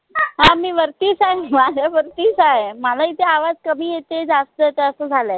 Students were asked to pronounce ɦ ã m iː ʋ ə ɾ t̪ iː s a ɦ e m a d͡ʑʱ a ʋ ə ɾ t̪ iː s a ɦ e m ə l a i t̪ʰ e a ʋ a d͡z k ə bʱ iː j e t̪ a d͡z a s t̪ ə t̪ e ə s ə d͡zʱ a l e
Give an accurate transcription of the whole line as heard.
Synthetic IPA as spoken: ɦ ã m iː ʋ ə ɾ t̪ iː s a ɦ e m a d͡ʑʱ a ʋ ə ɾ t̪ iː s a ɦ e m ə l a i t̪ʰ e a ʋ a d͡z k ə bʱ iː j e t̪ e d͡z a s t̪ ə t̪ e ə s ə d͡zʱ a l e